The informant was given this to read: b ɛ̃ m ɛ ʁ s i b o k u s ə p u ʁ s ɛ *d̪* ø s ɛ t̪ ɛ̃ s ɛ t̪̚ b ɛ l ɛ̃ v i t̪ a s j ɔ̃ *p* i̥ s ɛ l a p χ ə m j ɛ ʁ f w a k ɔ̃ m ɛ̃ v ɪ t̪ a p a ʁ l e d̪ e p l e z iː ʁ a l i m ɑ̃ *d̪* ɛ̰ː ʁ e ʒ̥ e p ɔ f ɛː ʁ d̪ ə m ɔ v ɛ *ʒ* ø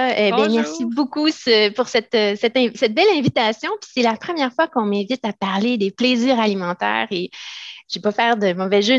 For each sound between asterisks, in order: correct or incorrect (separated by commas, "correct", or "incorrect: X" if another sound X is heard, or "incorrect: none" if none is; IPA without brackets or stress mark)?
incorrect: t̪, correct, incorrect: t̪, correct